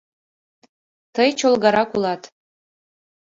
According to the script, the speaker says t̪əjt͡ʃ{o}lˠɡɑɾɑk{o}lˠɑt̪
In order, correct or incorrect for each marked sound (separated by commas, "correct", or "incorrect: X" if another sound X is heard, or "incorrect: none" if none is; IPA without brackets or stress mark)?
correct, incorrect: u